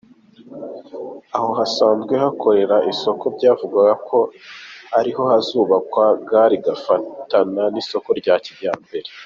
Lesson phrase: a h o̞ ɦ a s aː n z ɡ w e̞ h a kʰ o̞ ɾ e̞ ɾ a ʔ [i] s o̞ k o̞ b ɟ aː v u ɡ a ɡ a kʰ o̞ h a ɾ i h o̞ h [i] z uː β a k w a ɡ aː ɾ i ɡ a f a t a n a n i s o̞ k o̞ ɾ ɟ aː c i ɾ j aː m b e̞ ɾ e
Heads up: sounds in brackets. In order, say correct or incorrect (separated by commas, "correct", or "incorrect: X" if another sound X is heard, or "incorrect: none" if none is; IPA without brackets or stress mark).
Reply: correct, incorrect: a